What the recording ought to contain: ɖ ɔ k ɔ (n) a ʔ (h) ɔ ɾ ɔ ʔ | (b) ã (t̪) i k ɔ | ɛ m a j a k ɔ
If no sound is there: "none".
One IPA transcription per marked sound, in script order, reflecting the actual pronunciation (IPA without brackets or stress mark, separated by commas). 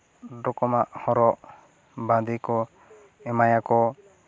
m, h, b, d̪